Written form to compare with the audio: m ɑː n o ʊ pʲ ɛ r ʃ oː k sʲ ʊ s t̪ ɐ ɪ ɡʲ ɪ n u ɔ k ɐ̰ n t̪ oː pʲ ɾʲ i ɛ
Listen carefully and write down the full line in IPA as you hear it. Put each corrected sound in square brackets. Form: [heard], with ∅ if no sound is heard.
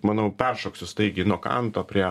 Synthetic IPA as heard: m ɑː n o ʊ pʲ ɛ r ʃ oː k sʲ ʊ s t̪ ɐ ɪ ɡʲ ɪ n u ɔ k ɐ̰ n t̪ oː pʲ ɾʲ i ɛ

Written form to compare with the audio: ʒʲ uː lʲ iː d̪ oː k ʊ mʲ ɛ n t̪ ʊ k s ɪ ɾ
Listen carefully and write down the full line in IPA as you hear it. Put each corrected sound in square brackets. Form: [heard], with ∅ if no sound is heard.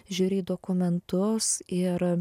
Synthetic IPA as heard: ʒʲ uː [ɾʲ] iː d̪ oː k ʊ mʲ ɛ n t̪ ʊ [∅] s ɪ ɾ

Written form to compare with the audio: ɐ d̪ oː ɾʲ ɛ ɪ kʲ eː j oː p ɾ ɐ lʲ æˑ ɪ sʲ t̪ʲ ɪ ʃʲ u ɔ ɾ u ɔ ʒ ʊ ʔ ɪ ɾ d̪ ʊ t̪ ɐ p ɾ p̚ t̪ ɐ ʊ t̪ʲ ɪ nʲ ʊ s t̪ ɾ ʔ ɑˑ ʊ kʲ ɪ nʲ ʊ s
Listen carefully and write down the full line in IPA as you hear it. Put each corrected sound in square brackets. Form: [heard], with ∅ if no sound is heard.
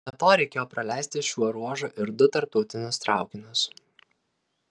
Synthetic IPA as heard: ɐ [t̪] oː ɾʲ ɛ ɪ kʲ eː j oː p ɾ ɐ lʲ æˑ ɪ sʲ t̪ʲ ɪ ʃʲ u ɔ ɾ u ɔ ʒ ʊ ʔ ɪ ɾ d̪ ʊ t̪ ɐ [∅] ɾ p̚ t̪ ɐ ʊ t̪ʲ ɪ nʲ ʊ s t̪ ɾ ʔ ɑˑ ʊ kʲ ɪ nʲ ʊ s

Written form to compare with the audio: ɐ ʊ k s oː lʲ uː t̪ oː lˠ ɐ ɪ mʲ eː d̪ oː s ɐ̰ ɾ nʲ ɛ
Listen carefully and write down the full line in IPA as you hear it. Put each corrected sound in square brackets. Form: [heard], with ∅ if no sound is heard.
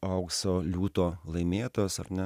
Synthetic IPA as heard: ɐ ʊ k s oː lʲ uː t̪ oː lˠ ɐ ɪ mʲ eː [t̪] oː s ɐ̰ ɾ nʲ ɛ

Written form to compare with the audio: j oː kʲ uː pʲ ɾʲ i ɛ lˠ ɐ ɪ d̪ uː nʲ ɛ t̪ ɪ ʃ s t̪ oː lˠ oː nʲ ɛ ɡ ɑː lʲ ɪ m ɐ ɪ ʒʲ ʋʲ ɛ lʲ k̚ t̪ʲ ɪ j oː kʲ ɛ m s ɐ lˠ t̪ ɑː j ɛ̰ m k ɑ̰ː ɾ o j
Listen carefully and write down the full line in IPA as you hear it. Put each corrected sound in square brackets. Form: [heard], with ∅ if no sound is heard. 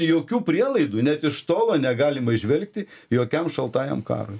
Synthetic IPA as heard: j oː kʲ uː pʲ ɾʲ i ɛ lˠ ɐ ɪ d̪ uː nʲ ɛ t̪ ɪ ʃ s t̪ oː lˠ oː nʲ ɛ ɡ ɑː lʲ ɪ m ɐ ɪ ʒʲ ʋʲ ɛ lʲ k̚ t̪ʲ ɪ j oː kʲ ɛ m [ʃ] ɐ lˠ t̪ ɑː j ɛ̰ m k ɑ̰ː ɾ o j

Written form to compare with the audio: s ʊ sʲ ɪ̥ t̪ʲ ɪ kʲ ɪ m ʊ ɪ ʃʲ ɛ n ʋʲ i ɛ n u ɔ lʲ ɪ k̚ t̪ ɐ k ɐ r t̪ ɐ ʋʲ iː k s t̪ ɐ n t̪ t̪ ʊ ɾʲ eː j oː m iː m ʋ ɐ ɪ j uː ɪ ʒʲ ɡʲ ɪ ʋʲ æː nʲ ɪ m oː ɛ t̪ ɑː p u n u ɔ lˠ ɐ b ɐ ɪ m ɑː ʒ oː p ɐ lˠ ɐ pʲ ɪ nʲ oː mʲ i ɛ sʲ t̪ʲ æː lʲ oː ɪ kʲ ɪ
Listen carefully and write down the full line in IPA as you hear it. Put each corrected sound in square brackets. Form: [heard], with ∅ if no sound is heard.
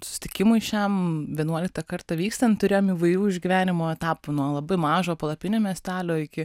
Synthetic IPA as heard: s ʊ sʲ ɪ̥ t̪ʲ ɪ kʲ ɪ m ʊ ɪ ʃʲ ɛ [m] ʋʲ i ɛ n u ɔ lʲ ɪ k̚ t̪ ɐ k ɐ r t̪ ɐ ʋʲ iː k s t̪ ɐ n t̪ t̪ ʊ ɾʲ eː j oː m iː [∅] ʋ ɐ ɪ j uː ɪ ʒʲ ɡʲ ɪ ʋʲ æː nʲ ɪ m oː ɛ t̪ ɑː p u n u ɔ lˠ ɐ b ɐ ɪ m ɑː ʒ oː p ɐ lˠ ɐ pʲ ɪ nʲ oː mʲ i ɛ sʲ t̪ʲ æː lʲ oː ɪ kʲ ɪ

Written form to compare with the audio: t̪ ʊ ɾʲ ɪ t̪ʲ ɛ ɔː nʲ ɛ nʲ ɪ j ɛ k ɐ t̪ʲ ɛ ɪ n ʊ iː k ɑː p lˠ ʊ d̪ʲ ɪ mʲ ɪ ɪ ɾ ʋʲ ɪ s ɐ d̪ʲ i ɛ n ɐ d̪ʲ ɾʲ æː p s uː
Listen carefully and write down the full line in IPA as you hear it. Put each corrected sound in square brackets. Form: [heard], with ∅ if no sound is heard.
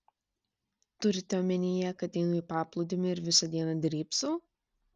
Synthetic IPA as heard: t̪ ʊ ɾʲ ɪ t̪ʲ ɛ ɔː [mʲ] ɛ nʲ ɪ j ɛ k ɐ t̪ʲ ɛ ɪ n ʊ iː [p] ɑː p lˠ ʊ d̪ʲ ɪ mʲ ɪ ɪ ɾ ʋʲ ɪ s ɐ d̪ʲ i ɛ n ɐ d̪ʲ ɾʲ [iː] p s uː

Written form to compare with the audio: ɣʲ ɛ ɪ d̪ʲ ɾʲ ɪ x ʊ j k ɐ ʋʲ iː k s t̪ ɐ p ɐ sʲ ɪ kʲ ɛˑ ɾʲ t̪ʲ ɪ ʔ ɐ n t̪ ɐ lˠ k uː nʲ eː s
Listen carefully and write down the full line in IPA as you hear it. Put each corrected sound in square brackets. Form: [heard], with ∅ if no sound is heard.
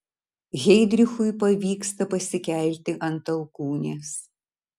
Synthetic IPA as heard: ɣʲ ɛ ɪ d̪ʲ ɾʲ ɪ x ʊ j [p] ɐ ʋʲ iː k s t̪ ɐ p ɐ sʲ ɪ kʲ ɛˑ [lʲ] t̪ʲ ɪ ʔ ɐ n t̪ ɐ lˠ k uː nʲ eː s

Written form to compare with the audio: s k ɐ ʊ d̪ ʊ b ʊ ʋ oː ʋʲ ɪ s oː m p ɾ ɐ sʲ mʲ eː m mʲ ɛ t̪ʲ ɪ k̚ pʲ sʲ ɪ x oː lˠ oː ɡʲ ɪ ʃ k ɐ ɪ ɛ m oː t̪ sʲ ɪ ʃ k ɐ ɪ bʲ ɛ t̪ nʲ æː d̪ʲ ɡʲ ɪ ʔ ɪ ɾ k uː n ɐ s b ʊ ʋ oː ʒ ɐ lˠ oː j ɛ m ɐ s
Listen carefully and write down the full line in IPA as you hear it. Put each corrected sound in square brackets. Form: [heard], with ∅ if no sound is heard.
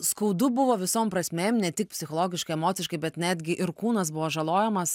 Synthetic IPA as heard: s k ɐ ʊ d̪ ʊ b ʊ ʋ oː ʋʲ ɪ s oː m p ɾ ɐ sʲ mʲ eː m [nʲ] ɛ t̪ʲ ɪ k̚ pʲ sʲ ɪ x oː lˠ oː ɡʲ ɪ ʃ k ɐ ɪ ɛ m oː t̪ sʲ ɪ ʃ k ɐ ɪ bʲ ɛ t̪ nʲ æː d̪ʲ ɡʲ ɪ ʔ ɪ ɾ k uː n ɐ s b ʊ ʋ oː ʒ ɐ lˠ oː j ɛ m ɐ s

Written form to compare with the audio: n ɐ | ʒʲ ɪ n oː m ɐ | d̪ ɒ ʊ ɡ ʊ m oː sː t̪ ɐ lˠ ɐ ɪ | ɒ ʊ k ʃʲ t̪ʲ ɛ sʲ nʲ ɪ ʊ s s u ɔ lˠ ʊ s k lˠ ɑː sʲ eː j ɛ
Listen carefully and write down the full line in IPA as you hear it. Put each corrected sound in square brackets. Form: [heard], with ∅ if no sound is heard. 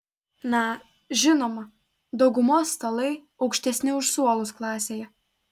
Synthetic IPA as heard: n ɐ | ʒʲ ɪ n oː m ɐ | d̪ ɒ ʊ ɡ ʊ m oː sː t̪ ɐ lˠ ɐ ɪ | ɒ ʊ k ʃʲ t̪ʲ ɛ sʲ nʲ ɪ ʊ [ʃ] s u ɔ lˠ ʊ s k lˠ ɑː sʲ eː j ɛ

